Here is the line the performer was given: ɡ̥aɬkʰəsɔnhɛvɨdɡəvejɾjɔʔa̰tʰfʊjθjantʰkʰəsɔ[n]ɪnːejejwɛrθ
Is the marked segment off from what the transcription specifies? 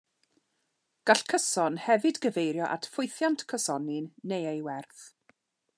no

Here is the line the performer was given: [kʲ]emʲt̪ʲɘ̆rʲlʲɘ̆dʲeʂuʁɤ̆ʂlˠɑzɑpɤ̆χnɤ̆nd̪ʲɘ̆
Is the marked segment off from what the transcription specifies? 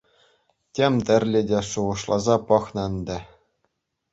yes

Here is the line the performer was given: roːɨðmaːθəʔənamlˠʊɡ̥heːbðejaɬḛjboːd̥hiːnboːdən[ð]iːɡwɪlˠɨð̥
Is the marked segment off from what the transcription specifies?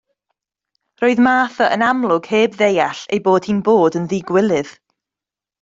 no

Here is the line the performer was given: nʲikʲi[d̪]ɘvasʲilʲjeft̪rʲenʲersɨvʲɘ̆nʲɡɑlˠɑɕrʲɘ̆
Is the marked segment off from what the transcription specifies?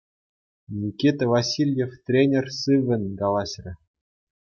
yes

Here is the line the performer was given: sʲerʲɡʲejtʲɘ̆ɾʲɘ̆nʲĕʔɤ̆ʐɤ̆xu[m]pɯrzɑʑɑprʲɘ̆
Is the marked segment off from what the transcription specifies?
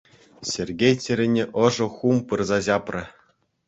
no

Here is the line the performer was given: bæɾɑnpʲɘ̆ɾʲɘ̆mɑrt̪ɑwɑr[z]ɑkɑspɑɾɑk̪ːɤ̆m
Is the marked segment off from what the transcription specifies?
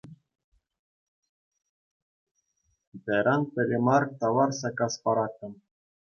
yes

